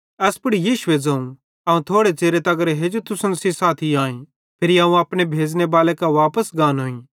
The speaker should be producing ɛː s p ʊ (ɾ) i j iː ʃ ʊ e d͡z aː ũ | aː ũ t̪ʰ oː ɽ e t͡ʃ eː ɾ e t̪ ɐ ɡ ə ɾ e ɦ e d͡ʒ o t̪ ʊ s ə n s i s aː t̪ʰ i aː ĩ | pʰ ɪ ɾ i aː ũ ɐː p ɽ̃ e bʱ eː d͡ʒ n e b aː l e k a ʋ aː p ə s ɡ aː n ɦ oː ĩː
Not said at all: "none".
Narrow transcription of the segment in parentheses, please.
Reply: ɽ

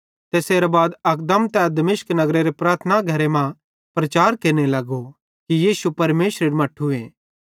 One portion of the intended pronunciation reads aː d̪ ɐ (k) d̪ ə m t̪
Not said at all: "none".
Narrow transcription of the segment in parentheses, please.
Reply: k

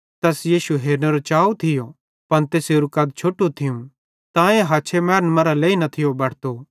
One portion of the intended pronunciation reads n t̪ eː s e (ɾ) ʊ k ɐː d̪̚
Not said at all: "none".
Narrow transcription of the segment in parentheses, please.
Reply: ɾ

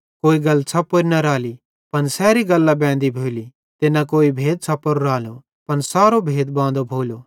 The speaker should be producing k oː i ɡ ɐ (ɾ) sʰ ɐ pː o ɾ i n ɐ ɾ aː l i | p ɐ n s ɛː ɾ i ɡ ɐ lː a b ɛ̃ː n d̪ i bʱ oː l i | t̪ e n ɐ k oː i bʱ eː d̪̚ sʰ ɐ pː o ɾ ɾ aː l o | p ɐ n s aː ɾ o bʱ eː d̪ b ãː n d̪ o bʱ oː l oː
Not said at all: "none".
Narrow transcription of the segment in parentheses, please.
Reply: l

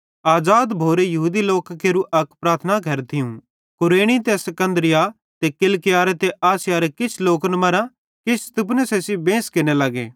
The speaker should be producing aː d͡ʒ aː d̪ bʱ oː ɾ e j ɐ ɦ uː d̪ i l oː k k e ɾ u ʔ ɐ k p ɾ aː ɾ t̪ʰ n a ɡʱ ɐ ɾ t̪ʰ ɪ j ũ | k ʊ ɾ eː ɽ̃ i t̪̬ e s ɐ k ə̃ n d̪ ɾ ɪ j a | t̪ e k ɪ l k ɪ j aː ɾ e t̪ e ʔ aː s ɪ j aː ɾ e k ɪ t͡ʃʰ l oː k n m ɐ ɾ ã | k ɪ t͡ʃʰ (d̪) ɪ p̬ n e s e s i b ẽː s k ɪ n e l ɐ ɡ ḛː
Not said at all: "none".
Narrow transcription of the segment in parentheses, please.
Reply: t̪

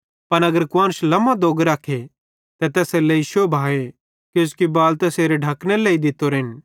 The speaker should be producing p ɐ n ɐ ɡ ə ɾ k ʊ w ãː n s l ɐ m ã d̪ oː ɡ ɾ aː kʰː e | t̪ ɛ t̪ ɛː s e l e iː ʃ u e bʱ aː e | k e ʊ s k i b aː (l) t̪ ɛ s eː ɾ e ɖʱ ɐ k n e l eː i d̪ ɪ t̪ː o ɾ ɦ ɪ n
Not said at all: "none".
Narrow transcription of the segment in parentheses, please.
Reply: l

